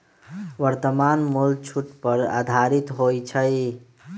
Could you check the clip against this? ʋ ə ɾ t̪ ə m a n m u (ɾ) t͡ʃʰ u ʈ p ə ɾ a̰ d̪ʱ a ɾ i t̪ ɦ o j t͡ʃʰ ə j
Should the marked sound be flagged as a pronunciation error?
yes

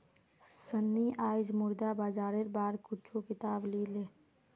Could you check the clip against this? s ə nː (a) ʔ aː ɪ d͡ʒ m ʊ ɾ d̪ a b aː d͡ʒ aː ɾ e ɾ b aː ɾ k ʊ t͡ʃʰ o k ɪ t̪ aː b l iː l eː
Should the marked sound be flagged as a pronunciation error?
yes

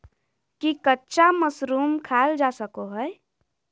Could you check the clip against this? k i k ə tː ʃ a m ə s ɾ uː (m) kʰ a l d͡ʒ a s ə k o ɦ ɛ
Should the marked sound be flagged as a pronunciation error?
no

